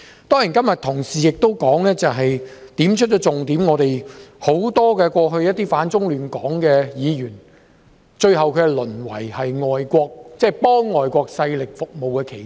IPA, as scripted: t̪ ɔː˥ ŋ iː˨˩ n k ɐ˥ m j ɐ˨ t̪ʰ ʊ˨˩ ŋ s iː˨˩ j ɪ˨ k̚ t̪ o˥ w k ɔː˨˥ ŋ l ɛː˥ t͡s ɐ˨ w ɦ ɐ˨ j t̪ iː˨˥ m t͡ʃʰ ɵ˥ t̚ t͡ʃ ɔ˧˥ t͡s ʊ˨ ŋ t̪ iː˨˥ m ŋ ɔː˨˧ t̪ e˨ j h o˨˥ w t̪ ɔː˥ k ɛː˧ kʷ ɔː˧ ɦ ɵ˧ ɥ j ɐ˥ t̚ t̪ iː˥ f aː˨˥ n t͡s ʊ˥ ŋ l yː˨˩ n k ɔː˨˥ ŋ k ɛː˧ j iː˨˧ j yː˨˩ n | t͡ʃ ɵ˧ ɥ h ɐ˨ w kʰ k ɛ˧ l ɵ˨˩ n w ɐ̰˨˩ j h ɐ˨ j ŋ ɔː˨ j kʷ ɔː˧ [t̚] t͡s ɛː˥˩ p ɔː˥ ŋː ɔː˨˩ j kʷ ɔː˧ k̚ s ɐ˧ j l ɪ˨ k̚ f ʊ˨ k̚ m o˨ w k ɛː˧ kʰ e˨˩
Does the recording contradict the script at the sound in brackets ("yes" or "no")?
yes